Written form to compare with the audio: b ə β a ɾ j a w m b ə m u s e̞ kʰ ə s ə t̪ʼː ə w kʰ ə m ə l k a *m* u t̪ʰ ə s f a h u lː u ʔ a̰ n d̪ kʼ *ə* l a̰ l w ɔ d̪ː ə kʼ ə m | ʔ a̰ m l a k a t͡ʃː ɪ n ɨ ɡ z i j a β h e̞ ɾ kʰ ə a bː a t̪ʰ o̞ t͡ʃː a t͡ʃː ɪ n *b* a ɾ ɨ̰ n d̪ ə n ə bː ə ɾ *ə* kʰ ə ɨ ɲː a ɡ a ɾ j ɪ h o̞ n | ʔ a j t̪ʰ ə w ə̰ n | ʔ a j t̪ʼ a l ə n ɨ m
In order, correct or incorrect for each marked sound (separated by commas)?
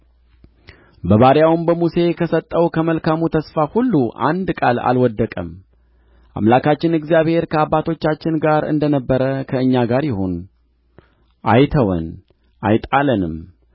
correct, incorrect, incorrect, correct